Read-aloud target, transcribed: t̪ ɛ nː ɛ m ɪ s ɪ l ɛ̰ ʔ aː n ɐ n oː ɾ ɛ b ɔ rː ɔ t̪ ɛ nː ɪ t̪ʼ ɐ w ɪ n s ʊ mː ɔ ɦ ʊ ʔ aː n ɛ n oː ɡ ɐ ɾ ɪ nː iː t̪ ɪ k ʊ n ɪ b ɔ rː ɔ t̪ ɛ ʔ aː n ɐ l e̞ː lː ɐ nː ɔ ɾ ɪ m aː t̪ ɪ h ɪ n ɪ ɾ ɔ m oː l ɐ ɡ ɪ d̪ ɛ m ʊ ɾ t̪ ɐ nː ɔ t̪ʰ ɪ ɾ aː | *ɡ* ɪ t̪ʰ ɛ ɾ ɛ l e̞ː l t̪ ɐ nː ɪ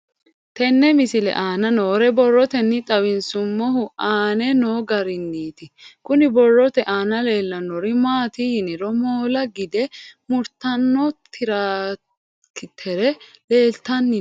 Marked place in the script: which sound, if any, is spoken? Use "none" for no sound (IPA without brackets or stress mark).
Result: k